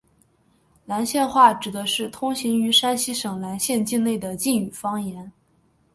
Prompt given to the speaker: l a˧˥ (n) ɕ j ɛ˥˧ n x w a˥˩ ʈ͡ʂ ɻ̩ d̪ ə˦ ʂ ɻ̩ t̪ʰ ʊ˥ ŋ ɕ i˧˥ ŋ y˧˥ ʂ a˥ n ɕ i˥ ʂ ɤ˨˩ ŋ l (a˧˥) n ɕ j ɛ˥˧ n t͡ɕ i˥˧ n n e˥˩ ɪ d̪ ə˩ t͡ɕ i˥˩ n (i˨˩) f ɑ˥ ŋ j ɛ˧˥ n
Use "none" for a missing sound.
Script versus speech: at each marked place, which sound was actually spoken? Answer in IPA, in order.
n, a˧˥, y˨˩

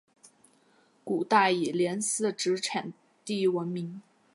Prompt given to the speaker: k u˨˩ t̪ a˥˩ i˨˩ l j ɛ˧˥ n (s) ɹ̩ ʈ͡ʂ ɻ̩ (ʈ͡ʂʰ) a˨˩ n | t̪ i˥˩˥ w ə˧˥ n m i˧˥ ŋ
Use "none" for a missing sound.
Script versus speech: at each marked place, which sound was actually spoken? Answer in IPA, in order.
s, ʈ͡ʂʰ

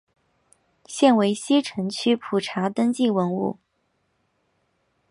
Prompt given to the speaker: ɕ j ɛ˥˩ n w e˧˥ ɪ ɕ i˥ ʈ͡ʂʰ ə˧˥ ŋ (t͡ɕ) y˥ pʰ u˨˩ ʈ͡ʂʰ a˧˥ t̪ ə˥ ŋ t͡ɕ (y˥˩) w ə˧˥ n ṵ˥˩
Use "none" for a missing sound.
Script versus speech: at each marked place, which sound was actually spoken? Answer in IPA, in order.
t͡ɕʰ, i˥˩

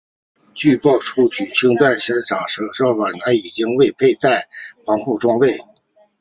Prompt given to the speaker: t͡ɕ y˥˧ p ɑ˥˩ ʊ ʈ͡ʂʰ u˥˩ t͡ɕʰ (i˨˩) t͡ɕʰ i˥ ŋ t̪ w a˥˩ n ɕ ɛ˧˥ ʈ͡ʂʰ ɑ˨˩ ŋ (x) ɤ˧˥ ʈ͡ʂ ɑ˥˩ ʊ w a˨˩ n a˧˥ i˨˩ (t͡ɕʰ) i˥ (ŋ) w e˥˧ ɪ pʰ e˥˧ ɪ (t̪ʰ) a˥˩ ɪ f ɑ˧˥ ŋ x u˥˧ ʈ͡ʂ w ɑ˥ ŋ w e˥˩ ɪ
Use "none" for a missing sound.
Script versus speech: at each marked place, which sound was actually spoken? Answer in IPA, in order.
y˨˩, ʂ, t͡ɕ, ŋ, t̪

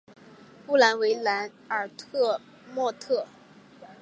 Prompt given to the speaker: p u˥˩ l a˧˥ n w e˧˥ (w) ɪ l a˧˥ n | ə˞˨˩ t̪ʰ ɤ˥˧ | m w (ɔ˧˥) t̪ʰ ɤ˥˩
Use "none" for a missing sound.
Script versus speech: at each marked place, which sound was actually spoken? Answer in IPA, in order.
none, ɔ˥˧

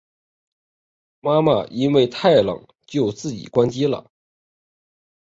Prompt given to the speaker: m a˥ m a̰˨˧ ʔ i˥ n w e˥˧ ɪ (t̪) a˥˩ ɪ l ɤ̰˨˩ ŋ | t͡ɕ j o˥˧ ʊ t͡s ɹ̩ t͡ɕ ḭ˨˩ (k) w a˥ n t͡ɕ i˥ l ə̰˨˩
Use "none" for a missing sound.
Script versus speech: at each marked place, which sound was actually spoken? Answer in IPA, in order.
t̪ʰ, k

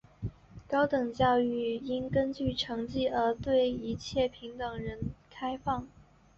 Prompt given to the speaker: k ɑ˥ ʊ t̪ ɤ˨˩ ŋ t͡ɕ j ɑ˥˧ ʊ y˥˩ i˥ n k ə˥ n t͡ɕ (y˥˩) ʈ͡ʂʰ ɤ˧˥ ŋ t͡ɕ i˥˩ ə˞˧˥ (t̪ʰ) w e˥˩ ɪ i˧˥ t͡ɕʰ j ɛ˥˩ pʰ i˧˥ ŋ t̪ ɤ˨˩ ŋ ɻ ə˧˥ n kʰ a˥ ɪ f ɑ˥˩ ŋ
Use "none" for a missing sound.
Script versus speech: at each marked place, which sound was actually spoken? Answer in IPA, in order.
y˥˩, t̪

